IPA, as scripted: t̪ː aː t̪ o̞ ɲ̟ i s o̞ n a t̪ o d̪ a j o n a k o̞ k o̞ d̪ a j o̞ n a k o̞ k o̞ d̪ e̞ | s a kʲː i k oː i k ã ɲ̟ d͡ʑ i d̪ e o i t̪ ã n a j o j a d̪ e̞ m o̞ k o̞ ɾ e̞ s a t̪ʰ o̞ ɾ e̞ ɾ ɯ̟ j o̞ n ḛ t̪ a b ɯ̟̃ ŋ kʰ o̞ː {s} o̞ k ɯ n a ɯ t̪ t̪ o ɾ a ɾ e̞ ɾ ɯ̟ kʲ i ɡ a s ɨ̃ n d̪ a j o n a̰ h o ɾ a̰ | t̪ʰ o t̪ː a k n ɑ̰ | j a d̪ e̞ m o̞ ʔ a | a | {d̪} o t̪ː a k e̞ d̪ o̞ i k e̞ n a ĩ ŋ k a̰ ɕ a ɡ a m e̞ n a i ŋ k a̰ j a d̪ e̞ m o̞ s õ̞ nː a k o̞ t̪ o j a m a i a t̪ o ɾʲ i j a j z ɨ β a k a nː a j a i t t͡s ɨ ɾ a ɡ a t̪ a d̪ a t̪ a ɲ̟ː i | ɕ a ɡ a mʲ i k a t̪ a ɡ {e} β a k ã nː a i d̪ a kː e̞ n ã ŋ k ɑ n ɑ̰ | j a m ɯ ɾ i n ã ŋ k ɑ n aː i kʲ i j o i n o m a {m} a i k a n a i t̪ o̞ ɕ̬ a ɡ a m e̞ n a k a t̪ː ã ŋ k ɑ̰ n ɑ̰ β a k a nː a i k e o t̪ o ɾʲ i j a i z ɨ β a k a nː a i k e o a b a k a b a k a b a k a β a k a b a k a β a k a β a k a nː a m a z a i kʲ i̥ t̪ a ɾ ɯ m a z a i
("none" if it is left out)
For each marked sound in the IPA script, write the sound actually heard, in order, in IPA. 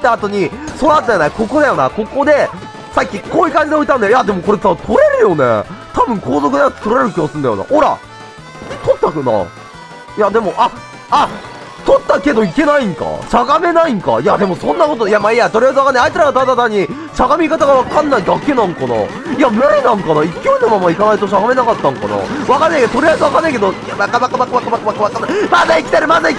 z, t̪, a, m

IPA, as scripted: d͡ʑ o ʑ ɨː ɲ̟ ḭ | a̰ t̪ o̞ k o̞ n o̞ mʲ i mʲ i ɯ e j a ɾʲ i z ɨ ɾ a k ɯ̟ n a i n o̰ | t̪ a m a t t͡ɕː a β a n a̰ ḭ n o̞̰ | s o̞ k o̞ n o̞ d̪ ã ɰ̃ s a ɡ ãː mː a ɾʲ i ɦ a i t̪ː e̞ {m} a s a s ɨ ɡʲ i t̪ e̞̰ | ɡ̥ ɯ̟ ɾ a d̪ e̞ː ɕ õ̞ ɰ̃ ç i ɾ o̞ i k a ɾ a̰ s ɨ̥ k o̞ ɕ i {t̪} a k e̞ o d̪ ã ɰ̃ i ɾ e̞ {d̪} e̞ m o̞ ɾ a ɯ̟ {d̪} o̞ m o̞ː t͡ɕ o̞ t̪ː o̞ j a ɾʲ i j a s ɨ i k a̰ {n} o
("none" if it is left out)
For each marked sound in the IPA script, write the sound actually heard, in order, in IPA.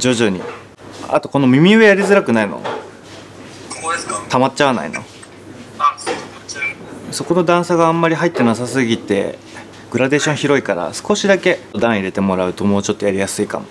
n, d̪, t̪, t̪, m

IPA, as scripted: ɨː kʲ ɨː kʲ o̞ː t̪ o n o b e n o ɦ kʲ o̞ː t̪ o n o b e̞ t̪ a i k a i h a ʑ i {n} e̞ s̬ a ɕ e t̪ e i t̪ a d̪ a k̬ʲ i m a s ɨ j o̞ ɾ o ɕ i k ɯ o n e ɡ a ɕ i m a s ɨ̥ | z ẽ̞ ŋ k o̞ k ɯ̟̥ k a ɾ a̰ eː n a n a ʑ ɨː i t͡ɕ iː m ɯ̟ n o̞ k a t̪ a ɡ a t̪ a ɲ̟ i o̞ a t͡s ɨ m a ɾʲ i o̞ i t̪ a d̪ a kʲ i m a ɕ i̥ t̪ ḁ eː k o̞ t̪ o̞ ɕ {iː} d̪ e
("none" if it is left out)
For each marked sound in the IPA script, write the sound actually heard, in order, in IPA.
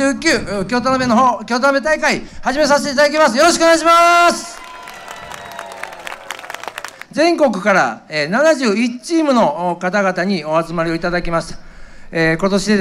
m, i

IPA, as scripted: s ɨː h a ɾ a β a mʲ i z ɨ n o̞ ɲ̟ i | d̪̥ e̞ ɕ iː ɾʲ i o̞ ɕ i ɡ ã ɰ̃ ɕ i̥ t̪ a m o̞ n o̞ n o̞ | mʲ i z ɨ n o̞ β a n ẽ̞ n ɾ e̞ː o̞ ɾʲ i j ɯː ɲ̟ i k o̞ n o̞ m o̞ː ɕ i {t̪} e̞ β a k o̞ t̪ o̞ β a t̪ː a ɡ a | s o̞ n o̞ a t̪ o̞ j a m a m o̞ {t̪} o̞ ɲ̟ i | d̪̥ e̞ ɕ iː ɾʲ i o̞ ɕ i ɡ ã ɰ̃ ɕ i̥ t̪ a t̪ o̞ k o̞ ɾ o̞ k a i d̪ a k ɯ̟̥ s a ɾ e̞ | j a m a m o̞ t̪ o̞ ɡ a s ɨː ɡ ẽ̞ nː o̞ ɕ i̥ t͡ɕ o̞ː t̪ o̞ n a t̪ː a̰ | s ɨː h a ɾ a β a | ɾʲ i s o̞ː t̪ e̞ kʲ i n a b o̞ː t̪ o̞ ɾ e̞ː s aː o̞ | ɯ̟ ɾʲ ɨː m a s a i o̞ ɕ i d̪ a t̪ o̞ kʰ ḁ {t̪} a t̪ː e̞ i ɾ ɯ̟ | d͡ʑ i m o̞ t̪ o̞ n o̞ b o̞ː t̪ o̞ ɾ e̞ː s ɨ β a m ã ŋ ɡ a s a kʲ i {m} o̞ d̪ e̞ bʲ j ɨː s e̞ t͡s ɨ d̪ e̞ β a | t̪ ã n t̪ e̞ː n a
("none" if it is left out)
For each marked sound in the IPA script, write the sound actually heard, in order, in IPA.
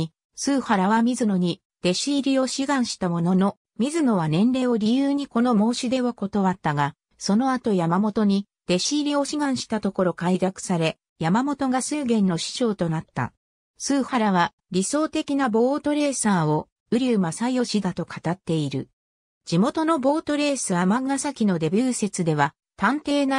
d̪, t̪, t̪, n

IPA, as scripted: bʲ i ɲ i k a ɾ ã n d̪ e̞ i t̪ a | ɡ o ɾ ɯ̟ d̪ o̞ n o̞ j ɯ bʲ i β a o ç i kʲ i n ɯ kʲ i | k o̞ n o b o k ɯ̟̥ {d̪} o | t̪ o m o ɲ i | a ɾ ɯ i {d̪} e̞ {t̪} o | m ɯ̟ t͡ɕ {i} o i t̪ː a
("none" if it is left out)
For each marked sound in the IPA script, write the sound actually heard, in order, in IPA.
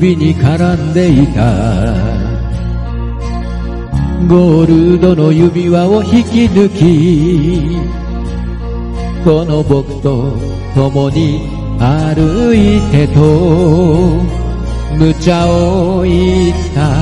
t̪, t̪, t̪, a

